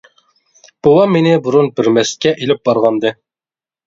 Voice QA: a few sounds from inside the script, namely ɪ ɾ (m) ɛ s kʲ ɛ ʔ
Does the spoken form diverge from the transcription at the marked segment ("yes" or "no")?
no